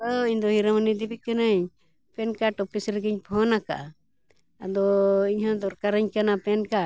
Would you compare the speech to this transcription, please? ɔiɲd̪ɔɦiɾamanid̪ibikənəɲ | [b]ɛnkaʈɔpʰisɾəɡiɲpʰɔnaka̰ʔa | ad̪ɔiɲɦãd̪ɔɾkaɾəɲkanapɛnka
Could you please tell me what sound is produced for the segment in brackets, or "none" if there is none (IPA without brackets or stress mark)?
p